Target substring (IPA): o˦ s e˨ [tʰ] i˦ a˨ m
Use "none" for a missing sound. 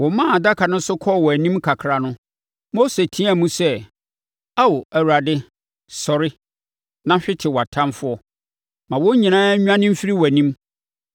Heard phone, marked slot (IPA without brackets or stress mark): tʰ